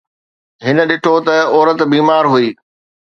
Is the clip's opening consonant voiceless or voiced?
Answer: voiced